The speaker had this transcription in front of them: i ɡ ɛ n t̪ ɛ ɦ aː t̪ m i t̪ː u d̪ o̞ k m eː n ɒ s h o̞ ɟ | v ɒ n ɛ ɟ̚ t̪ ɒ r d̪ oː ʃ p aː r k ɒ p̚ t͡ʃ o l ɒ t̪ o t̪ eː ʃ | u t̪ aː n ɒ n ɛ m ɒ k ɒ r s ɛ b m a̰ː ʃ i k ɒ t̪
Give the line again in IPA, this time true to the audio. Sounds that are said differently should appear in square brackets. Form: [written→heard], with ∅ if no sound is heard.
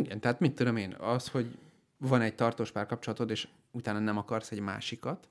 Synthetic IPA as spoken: i ɡ ɛ n t̪ ɛ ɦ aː t̪ m i t̪ː u d̪ o̞ [k→∅] m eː n ɒ s h o̞ ɟ | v ɒ n ɛ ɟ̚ t̪ ɒ r [d̪→t̪] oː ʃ p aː r k ɒ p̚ t͡ʃ o l ɒ t̪ o t̪ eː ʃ | u t̪ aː n ɒ n ɛ m ɒ k ɒ r s ɛ [b→ɟ] m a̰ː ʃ i k ɒ t̪